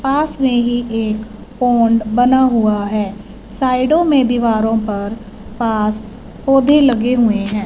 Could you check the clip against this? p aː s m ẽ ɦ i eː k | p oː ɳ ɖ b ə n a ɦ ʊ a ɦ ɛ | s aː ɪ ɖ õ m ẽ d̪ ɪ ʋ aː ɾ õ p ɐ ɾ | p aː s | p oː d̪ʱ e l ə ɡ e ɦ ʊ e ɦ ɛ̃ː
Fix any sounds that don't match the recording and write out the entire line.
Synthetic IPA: p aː s m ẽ ɦ i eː k | p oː ɳ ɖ b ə n a ɦ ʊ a ɦ ɛː | s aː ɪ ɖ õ m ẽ d̪ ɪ ʋ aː ɾ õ p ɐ ɾ | p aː s | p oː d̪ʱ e l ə ɡ e ɦ ʊ e ɦ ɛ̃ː